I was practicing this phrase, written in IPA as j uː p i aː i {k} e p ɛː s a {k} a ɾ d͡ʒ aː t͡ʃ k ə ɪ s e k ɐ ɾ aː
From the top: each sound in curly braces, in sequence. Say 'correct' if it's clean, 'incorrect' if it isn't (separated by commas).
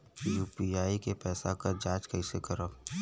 correct, correct